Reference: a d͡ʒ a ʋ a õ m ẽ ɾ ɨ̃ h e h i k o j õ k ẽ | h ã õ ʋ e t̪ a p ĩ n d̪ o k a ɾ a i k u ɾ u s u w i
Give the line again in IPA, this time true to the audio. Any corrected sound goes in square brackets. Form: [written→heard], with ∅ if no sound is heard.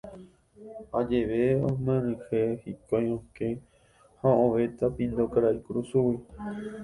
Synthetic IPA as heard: a d͡ʒ [a→e] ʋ [a→e] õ m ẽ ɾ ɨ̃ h e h i k o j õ k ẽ | h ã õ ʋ e t̪ a p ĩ n d̪ o k a ɾ a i k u ɾ u s u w i